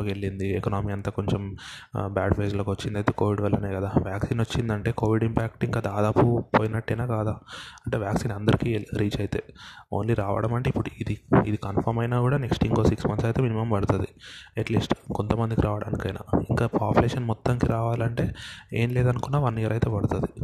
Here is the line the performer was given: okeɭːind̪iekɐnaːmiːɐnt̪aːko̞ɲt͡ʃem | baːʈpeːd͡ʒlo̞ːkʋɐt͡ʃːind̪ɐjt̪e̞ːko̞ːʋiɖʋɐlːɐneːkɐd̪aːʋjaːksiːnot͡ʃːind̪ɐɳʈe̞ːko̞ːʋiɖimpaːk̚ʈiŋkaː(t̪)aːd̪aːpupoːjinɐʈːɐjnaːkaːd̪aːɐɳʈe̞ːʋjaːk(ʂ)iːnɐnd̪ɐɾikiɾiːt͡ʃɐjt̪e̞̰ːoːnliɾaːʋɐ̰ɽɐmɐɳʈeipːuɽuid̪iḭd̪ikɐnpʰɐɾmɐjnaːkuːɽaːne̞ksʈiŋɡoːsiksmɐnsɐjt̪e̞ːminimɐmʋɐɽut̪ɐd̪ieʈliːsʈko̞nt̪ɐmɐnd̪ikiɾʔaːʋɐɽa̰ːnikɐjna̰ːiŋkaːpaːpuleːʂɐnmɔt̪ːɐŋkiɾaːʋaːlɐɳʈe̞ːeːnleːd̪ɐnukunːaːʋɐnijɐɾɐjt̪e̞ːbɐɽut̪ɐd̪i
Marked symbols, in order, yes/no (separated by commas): no, no